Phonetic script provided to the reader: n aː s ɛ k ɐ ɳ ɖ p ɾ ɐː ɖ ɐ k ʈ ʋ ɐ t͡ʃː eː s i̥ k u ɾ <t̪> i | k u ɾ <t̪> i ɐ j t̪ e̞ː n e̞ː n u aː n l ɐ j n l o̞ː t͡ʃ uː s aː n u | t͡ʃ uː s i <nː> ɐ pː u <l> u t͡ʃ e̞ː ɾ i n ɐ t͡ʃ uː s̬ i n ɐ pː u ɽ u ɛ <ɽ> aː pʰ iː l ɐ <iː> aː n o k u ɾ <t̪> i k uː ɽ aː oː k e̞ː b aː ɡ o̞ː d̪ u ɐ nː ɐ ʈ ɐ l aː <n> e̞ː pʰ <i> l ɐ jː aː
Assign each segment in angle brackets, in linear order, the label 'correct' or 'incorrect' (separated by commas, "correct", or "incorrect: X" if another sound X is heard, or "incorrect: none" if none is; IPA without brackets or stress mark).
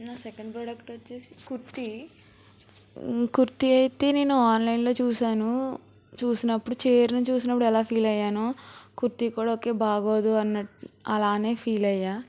correct, correct, incorrect: n, incorrect: ɽ, incorrect: l, incorrect: jː, correct, correct, incorrect: iː